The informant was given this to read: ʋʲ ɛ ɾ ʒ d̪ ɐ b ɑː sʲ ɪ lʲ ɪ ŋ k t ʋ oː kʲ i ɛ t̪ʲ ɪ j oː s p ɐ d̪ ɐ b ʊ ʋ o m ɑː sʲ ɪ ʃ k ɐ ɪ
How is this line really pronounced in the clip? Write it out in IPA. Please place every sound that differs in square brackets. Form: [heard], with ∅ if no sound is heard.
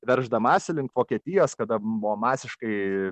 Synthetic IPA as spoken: ʋʲ ɛ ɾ ʒ d̪ ɐ [m] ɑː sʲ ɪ lʲ ɪ ŋ k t ʋ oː kʲ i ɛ t̪ʲ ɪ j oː s [k] ɐ d̪ ɐ b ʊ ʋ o m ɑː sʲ ɪ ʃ k ɐ ɪ

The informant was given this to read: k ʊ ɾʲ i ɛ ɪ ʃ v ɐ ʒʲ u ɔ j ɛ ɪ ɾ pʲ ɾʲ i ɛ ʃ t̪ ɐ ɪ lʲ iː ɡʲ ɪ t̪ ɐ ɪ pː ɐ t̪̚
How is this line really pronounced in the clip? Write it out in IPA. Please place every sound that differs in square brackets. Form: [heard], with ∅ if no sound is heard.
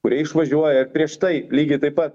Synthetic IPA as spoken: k ʊ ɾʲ i ɛ ɪ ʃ [ʋ] ɐ ʒʲ u ɔ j ɛ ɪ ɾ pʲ ɾʲ i ɛ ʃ t̪ ɐ ɪ lʲ iː ɡʲ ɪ t̪ ɐ ɪ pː ɐ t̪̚

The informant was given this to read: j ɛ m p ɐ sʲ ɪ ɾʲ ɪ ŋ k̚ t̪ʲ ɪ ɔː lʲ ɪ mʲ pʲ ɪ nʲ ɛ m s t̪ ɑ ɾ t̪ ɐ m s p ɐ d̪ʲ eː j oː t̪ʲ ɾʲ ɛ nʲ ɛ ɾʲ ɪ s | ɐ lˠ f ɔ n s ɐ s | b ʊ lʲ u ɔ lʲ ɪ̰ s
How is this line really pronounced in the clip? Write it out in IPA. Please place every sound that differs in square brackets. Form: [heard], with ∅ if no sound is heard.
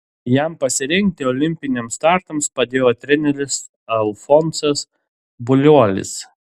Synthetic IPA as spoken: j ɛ m p ɐ sʲ ɪ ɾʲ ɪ ŋ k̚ t̪ʲ ɪ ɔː lʲ ɪ mʲ pʲ ɪ nʲ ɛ m s t̪ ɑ ɾ t̪ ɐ m s p ɐ d̪ʲ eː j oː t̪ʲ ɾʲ ɛ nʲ ɛ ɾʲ ɪ s | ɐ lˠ f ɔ n s ɐ s | b ʊ lʲ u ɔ lʲ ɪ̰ s

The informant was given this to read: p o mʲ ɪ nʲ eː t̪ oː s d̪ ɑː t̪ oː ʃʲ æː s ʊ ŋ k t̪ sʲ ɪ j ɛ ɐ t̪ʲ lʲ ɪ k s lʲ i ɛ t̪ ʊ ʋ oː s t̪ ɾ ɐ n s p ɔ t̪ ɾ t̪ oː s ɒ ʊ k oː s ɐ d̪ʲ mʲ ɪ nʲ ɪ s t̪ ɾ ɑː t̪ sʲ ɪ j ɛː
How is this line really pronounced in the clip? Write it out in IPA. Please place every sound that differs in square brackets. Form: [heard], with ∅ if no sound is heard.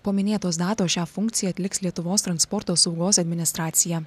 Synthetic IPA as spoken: p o mʲ ɪ nʲ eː t̪ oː s d̪ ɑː t̪ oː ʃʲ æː [f] ʊ ŋ k t̪ sʲ ɪ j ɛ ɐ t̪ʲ lʲ ɪ k s lʲ i ɛ t̪ ʊ ʋ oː s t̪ ɾ ɐ n s p ɔ [∅] ɾ t̪ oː s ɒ ʊ [ɡ] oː s ɐ d̪ʲ mʲ ɪ nʲ ɪ s t̪ ɾ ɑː t̪ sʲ ɪ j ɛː

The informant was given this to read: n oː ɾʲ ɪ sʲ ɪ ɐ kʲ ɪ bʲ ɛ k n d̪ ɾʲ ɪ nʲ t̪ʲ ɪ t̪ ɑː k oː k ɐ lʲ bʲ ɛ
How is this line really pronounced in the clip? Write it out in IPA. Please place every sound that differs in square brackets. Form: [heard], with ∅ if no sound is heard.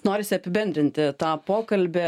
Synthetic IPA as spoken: n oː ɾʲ ɪ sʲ ɪ ɐ [pʲ] ɪ bʲ ɛ [∅] n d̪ ɾʲ ɪ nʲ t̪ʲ ɪ t̪ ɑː [p] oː k ɐ lʲ bʲ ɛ

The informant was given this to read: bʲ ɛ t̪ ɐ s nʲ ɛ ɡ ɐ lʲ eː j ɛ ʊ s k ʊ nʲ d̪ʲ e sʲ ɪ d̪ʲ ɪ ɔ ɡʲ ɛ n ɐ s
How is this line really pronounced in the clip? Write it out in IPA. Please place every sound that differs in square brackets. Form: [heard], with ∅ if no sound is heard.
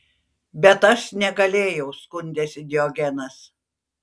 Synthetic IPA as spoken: bʲ ɛ t̪ ɐ [ʃ] nʲ ɛ ɡ ɐ lʲ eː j ɛ ʊ s k ʊ nʲ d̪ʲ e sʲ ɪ d̪ʲ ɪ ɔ ɡʲ ɛ n ɐ s

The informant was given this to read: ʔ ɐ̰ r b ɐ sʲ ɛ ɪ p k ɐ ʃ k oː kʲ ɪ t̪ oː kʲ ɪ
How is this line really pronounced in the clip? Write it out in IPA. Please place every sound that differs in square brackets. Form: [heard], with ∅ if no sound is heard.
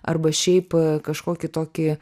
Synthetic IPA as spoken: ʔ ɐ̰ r b ɐ [ʃʲ] ɛ ɪ p k ɐ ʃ k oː kʲ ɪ t̪ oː kʲ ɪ

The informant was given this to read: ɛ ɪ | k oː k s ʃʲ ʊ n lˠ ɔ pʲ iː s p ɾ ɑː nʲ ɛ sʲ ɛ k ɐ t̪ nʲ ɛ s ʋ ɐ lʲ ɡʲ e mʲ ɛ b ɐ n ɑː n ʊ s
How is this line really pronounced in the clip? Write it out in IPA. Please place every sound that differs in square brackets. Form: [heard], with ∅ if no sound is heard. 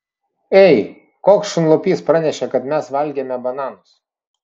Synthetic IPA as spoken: ɛ ɪ | k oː k s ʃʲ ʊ n lˠ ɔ pʲ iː s p ɾ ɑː nʲ ɛ [ʃʲ] ɛ k ɐ t̪ [mʲ] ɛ s ʋ ɐ lʲ ɡʲ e mʲ ɛ b ɐ n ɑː n ʊ s

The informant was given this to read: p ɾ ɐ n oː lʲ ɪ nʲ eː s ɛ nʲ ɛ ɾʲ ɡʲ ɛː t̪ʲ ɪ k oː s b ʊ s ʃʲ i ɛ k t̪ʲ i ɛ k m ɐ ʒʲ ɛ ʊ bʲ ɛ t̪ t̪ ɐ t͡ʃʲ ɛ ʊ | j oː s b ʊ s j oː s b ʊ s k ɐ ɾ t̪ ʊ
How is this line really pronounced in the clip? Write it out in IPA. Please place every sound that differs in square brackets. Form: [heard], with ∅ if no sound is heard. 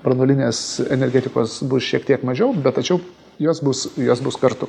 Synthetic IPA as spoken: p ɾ ɐ n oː lʲ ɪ nʲ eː s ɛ nʲ ɛ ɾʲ ɡʲ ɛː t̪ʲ ɪ k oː s b ʊ s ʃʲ i ɛ k t̪ʲ i ɛ k m ɐ ʒʲ ɛ ʊ bʲ ɛ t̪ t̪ ɐ t͡ʃʲ ɛ ʊ | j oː s b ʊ s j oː s b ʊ s k ɐ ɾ t̪ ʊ

